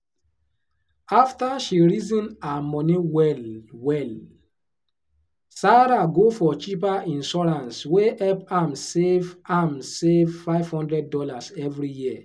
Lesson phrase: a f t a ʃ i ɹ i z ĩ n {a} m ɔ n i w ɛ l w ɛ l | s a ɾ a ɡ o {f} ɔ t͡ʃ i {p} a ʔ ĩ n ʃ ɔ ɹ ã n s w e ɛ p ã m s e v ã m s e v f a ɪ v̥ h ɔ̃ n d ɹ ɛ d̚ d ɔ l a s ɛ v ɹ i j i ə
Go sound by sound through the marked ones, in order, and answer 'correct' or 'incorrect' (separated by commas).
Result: correct, correct, correct